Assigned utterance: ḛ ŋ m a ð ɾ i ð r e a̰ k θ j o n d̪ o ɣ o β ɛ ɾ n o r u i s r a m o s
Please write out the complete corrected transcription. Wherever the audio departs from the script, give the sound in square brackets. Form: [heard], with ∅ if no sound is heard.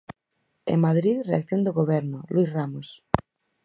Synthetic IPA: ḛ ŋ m a ð ɾ i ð r e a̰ k θ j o n d̪ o ɣ o β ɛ ɾ n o [l] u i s r a m o s